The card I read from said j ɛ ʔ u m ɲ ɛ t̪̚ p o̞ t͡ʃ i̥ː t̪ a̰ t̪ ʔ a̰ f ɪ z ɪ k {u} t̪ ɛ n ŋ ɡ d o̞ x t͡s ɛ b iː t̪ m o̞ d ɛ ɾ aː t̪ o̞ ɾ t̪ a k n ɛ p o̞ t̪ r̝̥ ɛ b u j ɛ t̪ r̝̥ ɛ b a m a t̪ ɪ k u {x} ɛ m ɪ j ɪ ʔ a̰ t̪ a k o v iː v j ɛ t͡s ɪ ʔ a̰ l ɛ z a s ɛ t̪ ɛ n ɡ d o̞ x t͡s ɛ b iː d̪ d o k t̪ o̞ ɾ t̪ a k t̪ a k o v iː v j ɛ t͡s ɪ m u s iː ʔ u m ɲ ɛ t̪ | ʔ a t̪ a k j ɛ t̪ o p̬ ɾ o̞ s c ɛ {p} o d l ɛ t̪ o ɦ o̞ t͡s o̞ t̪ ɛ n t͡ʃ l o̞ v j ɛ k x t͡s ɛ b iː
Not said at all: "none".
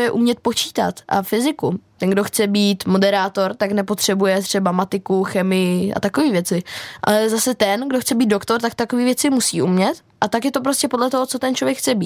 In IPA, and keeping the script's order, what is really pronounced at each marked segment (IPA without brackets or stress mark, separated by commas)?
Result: u, x, p